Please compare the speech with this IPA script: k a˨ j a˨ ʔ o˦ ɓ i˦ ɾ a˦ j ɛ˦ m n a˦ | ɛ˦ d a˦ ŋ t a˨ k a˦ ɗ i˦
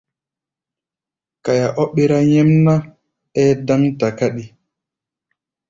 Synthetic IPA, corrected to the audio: k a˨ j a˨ ʔ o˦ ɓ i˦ ɾ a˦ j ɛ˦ m n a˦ | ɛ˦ d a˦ ŋ t a˨ k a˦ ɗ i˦